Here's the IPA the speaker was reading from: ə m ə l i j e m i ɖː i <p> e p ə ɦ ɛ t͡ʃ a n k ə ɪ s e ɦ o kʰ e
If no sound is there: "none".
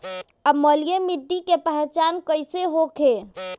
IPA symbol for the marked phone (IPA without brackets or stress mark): k